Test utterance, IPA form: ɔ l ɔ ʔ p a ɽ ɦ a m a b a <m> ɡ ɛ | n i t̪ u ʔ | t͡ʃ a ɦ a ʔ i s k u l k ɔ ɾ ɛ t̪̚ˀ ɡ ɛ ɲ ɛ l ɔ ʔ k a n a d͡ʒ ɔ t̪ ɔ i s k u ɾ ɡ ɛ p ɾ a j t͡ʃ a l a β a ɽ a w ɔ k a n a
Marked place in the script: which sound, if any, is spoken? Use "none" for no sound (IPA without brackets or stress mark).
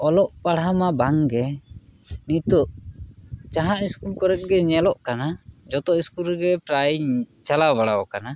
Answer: ŋ